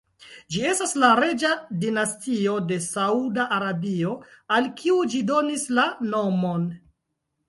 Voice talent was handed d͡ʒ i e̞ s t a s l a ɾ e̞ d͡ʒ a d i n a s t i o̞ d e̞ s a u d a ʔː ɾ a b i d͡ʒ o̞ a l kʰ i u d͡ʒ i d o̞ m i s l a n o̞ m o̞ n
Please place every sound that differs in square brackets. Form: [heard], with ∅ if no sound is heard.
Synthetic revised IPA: d͡ʒ i e̞ s t a s l a ɾ e̞ d͡ʒ a d i n a s t i o̞ d e̞ s a u d a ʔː ɾ a b i [∅] o̞ a l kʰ i u d͡ʒ i d o̞ [n] i s l a n o̞ m o̞ n